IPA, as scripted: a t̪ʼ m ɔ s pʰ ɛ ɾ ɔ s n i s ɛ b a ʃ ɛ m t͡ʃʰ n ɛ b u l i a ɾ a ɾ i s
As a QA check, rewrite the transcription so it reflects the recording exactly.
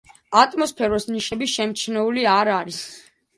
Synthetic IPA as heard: a t̪ʼ m ɔ s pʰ ɛ ɾ ɔ s n i ʃ ɛ b i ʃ ɛ m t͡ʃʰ n ɛ u l i a ɾ a ɾ i s

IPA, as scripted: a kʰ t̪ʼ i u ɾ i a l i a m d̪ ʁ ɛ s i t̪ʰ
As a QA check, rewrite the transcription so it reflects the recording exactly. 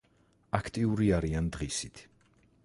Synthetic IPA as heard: a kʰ t̪ʼ i u ɾ i a ɾ i a n d̪ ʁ i s i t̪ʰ

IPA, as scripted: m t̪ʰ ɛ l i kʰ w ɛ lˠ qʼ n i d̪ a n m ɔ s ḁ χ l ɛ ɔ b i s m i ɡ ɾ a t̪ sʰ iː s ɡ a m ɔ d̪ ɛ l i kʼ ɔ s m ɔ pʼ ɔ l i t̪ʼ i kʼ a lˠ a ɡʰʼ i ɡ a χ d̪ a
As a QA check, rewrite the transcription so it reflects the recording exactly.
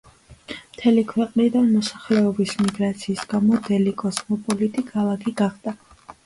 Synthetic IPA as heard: m t̪ʰ ɛ l i kʰ w ɛ qʼ n i d̪ a n m ɔ s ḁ χ l ɛ ɔ b i s m i ɡ ɾ a t̪ sʰ iː s ɡ a m ɔ d̪ ɛ l i kʼ ɔ s m ɔ pʼ ɔ l i t̪ʼ i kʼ a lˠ a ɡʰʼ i ɡ a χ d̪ a

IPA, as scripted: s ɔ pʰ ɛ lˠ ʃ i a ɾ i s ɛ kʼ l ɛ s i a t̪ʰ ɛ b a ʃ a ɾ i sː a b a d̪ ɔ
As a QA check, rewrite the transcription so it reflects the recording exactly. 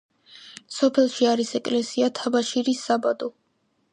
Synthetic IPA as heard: s ɔ pʰ ɛ lˠ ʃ i a ɾ i s ɛ kʼ l ɛ s i a t̪ʰ a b a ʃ i ɾ i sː a b a d̪ ɔ

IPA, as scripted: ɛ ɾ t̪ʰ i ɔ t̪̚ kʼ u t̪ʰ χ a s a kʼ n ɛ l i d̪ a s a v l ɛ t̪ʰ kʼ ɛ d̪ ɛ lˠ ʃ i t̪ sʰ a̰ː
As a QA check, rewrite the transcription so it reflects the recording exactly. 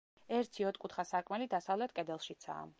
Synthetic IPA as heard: ɛ ɾ t̪ʰ i ɔ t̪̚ kʼ u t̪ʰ χ a s a kʼ m ɛ l i d̪ a s a v l ɛ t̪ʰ kʼ ɛ d̪ ɛ lˠ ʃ i t̪ sʰ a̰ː

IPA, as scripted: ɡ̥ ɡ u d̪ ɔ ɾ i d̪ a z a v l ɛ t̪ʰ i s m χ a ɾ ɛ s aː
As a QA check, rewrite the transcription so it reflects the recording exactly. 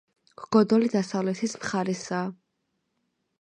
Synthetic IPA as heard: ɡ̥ ɡ ɔ d̪ ɔ l i d̪ a s a v l ɛ t̪ʰ i s m χ a ɾ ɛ s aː

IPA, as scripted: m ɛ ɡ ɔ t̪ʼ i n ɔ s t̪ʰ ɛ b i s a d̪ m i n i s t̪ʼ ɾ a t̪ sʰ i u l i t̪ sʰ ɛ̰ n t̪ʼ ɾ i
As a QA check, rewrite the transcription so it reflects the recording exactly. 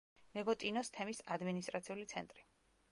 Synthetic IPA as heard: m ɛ ɡ ɔ t̪ʼ i n ɔ s t̪ʰ ɛ m i s a d̪ m i n i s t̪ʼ ɾ a t̪ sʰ i u l i t̪ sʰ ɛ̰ n t̪ʼ ɾ i

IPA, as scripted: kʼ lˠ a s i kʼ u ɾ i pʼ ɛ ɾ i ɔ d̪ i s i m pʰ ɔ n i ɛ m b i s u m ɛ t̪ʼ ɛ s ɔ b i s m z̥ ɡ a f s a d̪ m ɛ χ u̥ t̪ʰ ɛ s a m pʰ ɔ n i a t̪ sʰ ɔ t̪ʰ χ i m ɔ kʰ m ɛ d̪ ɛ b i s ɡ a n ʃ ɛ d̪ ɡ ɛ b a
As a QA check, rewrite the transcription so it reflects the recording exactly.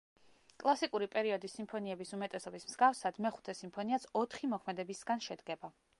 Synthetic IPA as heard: kʼ lˠ a s i kʼ u ɾ i pʼ ɛ ɾ i ɔ d̪ i s i m pʰ ɔ n i ɛ b i s u m ɛ t̪ʼ ɛ s ɔ b i s m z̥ ɡ a f s a d̪ m ɛ χ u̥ t̪ʰ ɛ s i m pʰ ɔ n i a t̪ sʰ ɔ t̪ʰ χ i m ɔ kʰ m ɛ d̪ ɛ b i s ɡ a n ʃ ɛ d̪ ɡ ɛ b a

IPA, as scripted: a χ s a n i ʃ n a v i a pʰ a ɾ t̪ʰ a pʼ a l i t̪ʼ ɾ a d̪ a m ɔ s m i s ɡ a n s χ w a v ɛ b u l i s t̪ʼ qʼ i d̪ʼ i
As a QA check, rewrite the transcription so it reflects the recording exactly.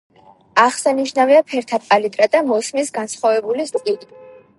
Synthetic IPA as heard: a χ s a n i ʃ n a v i a pʰ ɛ ɾ t̪ʰ a pʼ a l i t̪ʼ ɾ a d̪ a m ɔ s m i s ɡ a n s χ w a v ɛ b u l i s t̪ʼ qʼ i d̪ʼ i

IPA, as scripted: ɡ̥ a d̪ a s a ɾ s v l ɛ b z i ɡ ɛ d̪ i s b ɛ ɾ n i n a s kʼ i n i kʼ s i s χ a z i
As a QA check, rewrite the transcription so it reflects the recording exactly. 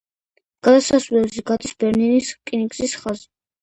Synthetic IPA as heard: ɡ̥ a d̪ a s a s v l ɛ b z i ɡ a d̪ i s b ɛ ɾ n i n i s kʼ i n i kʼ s i s χ a z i

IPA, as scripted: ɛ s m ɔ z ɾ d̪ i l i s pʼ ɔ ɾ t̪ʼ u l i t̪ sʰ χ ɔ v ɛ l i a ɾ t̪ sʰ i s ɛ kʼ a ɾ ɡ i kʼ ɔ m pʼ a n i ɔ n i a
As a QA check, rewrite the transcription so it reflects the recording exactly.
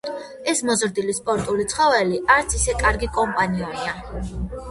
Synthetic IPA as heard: ɛ s m ɔ z ɾ d̪ i l i s pʼ ɔ ɾ t̪ʼ u l i t̪ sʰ χ ɔ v ɛ l i a ɾ t̪ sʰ i s ɛ kʼ a ɾ ɡ i kʼ ɔ m pʼ a n i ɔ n i a

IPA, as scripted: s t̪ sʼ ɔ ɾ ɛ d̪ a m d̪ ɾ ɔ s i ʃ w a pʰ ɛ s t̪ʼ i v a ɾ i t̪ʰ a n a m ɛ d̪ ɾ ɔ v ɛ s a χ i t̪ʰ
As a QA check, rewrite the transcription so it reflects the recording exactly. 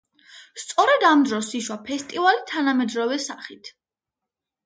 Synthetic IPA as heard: s t̪ sʼ ɔ ɾ ɛ d̪ a m d̪ ɾ ɔ s i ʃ w a pʰ ɛ s t̪ʼ i v a l i t̪ʰ a n a m ɛ d̪ ɾ ɔ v ɛ s a χ i t̪ʰ

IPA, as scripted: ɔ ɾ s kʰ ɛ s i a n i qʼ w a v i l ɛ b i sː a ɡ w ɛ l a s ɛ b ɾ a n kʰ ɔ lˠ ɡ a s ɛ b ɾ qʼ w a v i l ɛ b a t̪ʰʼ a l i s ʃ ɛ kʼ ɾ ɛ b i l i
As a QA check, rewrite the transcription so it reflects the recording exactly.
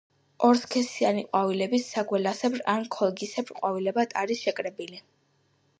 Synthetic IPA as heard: ɔ ɾ s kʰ ɛ s i a n i qʼ w a v i l ɛ b i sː a ɡ w ɛ l a s ɛ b ɾ a n kʰ ɔ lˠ ɡ i s ɛ b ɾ qʼ w a v i l ɛ b a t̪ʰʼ a ɾ i s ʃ ɛ kʼ ɾ ɛ b i l i

